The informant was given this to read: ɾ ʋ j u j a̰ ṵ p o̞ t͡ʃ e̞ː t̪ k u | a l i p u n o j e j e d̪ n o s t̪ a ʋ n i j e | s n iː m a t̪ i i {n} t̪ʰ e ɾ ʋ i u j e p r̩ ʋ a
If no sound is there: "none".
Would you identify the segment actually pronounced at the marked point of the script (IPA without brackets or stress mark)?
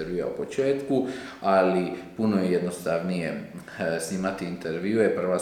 n